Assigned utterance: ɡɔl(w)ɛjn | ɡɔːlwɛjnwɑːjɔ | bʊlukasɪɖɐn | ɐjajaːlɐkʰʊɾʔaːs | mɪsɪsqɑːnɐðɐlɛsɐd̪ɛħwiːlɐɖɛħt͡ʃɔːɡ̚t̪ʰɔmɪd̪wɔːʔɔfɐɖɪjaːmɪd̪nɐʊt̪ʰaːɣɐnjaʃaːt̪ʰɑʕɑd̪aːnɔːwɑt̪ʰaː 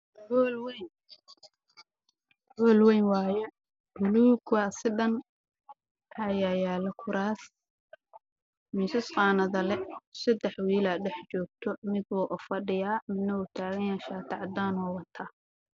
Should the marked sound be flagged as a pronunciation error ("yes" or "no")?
no